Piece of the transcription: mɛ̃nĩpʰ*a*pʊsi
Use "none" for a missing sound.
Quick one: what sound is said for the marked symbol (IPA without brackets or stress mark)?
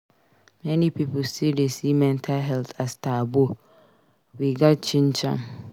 i